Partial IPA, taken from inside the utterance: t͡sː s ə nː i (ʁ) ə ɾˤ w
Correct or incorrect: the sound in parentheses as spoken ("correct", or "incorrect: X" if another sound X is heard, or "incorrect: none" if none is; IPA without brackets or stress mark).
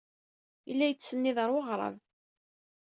incorrect: ð